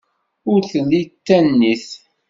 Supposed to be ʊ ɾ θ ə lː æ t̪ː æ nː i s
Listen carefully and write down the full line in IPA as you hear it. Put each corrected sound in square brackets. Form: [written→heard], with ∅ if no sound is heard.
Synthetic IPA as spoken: ʊ ɾ θ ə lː [æ→i] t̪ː æ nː i [s→θ]